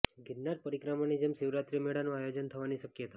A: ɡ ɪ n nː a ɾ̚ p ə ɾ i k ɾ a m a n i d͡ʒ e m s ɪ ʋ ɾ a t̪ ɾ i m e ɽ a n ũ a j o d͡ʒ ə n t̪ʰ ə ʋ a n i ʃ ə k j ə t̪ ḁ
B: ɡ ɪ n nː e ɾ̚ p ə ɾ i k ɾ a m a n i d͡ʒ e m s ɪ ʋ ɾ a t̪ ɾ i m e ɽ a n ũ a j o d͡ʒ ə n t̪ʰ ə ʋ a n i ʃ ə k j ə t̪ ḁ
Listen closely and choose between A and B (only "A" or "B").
A